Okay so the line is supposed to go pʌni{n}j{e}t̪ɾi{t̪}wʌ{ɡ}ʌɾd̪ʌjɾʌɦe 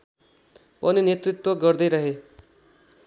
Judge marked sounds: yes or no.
yes, yes, yes, yes

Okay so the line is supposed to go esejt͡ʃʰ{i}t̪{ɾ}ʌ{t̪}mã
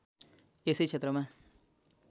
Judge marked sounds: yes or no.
no, yes, no

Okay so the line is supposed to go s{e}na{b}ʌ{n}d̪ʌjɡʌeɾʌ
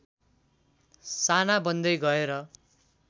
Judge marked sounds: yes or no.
no, yes, yes

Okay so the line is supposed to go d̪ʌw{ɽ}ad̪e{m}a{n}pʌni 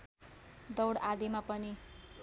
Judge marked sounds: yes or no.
yes, yes, no

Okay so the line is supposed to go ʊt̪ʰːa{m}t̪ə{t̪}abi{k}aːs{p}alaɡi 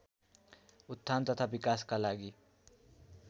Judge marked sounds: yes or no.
no, no, yes, no

